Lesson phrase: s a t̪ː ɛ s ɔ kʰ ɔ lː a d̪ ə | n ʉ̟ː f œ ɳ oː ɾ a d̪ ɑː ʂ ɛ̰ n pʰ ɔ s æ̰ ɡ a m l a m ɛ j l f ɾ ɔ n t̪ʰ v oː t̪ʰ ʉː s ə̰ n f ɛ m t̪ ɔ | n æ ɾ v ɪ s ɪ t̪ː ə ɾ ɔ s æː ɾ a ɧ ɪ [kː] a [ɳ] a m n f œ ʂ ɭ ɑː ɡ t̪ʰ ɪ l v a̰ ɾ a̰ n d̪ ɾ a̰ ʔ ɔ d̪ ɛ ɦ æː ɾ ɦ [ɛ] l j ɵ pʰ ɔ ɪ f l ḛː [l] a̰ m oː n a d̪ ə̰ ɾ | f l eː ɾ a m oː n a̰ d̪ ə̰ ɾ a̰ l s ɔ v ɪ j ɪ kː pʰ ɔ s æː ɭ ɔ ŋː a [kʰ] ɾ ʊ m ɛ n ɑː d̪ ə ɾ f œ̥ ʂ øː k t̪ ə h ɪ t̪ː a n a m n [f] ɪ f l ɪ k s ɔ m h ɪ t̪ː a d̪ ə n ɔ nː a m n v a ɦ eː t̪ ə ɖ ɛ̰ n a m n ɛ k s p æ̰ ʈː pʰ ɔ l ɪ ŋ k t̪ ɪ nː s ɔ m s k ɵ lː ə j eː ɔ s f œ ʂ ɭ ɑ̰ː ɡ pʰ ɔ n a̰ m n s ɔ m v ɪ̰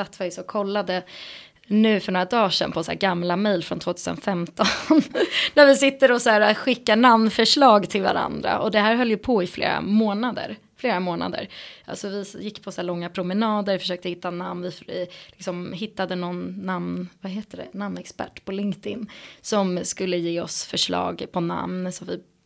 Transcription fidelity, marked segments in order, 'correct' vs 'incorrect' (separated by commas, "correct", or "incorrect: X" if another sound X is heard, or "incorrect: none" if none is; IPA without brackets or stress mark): correct, incorrect: n, incorrect: œ, incorrect: ɾ, incorrect: pʰ, incorrect: v